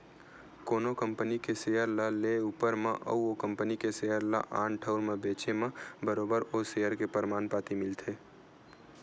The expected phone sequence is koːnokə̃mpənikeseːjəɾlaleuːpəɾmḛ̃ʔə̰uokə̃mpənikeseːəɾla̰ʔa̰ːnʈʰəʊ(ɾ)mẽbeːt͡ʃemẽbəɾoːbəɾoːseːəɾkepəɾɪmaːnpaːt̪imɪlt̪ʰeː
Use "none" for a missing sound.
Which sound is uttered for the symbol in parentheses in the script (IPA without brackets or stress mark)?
ɾ